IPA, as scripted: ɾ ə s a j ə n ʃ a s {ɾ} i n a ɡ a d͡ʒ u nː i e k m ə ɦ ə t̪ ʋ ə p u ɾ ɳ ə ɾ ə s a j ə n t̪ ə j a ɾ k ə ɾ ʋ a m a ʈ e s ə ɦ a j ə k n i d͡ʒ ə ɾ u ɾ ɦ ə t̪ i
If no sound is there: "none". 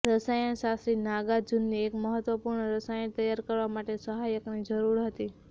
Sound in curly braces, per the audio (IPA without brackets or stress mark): ɾ